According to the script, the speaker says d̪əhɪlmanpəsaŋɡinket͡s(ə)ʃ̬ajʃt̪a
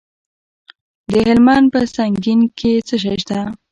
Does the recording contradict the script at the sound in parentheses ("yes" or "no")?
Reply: no